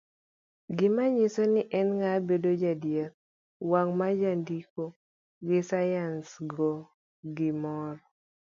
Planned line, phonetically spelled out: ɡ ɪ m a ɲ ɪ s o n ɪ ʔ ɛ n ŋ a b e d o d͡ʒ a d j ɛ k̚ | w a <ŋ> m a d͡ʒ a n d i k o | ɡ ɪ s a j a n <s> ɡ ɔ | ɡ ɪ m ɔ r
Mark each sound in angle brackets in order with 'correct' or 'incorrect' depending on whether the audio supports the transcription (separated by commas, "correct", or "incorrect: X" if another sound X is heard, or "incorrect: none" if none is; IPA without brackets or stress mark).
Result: correct, correct